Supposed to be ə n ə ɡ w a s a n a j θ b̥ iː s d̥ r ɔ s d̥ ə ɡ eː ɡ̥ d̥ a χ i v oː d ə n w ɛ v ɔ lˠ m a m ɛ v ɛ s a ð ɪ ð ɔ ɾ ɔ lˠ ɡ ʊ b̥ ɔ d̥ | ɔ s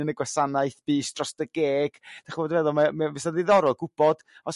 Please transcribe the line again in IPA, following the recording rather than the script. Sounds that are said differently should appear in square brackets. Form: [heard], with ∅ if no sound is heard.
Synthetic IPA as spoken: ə n ə ɡ w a s a n a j θ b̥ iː s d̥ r ɔ s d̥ ə ɡ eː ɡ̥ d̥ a χ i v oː d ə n [v] ɛ [ð] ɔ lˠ m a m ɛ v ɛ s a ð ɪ ð ɔ ɾ ɔ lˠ ɡ ʊ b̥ ɔ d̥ | ɔ s